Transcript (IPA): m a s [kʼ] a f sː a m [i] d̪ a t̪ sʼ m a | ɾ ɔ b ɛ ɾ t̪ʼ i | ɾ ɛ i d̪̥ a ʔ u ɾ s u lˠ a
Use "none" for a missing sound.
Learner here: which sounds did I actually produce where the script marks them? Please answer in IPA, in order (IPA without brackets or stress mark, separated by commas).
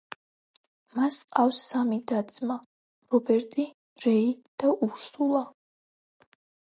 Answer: qʼ, i